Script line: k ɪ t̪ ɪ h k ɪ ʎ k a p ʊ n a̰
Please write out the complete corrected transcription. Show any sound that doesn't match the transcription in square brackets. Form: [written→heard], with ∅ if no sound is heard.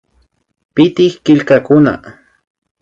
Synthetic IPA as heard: [k→p] ɪ t̪ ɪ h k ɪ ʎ k a [p→k] ʊ n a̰

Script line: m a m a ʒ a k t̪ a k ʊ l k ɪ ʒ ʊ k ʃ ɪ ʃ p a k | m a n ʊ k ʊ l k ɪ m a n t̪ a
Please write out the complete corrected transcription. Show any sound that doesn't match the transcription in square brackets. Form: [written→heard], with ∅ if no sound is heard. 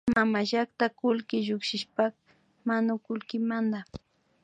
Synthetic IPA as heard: m a m a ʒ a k t̪ a k ʊ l k ɪ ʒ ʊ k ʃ ɪ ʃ p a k | m a n ʊ k ʊ l k ɪ m a n [t̪→d̪] a

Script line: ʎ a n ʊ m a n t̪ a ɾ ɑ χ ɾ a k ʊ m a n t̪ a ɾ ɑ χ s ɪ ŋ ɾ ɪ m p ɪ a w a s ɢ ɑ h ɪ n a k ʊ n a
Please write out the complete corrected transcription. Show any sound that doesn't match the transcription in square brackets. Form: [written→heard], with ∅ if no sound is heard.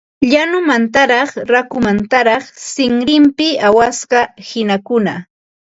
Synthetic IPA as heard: ʎ a n ʊ m a n t̪ a ɾ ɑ χ ɾ a k ʊ m a n t̪ a ɾ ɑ χ s ɪ ŋ ɾ ɪ m p ɪ a w a s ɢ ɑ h ɪ n a k ʊ n a

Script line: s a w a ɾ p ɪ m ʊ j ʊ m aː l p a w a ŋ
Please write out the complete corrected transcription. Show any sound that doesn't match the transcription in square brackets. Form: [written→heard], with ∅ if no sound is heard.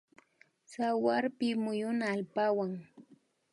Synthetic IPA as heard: s a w a ɾ p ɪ m ʊ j ʊ [m→n] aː l p a w a ŋ

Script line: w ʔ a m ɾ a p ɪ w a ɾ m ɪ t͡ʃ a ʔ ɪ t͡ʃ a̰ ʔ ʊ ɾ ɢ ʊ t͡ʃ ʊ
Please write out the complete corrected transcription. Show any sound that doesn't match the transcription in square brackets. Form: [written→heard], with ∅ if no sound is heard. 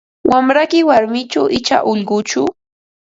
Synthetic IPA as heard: w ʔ a m ɾ a [p→k] ɪ w a ɾ m ɪ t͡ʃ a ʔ ɪ t͡ʃ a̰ ʔ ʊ [ɾ→ʎ] ɢ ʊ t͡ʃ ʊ

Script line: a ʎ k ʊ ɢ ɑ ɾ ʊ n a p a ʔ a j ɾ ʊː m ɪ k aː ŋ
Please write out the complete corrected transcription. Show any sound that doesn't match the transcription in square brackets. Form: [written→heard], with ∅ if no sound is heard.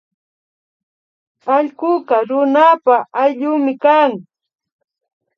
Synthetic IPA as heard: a ʎ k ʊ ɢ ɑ ɾ ʊ n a p a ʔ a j [ɾ→ʎ] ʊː m ɪ k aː ŋ

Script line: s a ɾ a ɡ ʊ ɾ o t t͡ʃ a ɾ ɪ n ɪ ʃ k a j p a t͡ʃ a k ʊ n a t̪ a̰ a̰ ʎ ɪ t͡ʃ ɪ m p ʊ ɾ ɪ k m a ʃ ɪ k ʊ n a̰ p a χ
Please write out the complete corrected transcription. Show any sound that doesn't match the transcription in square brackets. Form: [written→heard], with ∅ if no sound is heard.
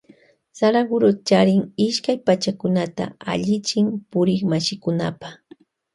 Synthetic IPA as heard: s a ɾ a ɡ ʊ ɾ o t t͡ʃ a ɾ ɪ [n→ŋ] ɪ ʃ k a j p a t͡ʃ a k ʊ n a t̪ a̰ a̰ ʎ ɪ t͡ʃ ɪ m p ʊ ɾ ɪ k m a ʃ ɪ k ʊ n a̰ p a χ

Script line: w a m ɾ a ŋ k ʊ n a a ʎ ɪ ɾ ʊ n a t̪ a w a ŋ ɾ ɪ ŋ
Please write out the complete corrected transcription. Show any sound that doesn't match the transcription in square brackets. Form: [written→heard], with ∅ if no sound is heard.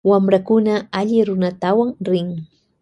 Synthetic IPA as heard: w a m ɾ a [ŋ→∅] k ʊ n a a ʎ ɪ ɾ ʊ n a t̪ a w a ŋ ɾ ɪ ŋ

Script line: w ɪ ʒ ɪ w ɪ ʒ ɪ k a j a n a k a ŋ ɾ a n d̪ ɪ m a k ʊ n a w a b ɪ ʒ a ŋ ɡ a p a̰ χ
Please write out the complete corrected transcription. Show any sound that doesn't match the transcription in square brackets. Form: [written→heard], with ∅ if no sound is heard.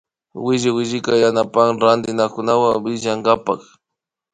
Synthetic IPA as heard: w ɪ ʒ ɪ w ɪ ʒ ɪ k a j a n a [k→p] a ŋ ɾ a n d̪ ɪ [m→n] a k ʊ n a w a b ɪ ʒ a ŋ ɡ a p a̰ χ

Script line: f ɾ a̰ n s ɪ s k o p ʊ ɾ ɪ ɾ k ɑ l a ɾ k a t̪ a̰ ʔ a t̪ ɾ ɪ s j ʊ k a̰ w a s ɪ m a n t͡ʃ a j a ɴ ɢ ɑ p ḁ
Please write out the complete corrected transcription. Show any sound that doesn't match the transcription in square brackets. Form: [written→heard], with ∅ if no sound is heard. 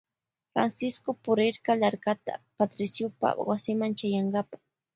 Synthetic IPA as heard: f ɾ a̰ n s ɪ s k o p ʊ ɾ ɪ ɾ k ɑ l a ɾ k a t̪ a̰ [ʔ→p] a t̪ ɾ ɪ s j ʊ [k→p] a̰ w a s ɪ m a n t͡ʃ a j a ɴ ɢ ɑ p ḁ

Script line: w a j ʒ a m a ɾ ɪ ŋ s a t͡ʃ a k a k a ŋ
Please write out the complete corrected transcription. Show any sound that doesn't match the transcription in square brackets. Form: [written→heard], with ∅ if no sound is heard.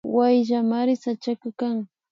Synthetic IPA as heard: w a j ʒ a m a ɾ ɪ [ŋ→∅] s a t͡ʃ a k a k a ŋ

